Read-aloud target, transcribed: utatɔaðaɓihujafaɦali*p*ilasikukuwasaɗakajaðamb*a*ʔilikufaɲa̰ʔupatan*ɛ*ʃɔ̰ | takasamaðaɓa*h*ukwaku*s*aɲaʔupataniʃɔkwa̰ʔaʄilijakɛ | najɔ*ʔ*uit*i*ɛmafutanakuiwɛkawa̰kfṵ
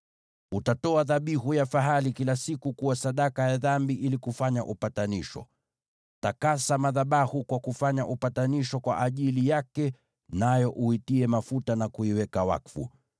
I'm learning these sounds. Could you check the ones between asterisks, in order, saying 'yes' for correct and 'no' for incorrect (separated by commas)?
no, no, no, yes, no, yes, yes